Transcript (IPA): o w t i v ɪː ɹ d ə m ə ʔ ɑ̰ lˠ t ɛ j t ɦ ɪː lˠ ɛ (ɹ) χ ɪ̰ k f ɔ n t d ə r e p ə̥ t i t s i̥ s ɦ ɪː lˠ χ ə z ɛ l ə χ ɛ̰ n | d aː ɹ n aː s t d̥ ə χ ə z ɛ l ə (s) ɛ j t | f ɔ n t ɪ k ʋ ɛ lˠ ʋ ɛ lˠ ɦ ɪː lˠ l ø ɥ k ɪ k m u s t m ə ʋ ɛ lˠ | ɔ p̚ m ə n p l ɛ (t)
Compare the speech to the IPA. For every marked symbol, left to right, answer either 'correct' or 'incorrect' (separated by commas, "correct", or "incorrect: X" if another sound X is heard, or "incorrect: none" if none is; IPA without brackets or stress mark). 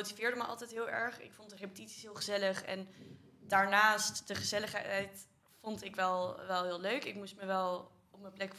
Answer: correct, incorrect: χ, incorrect: k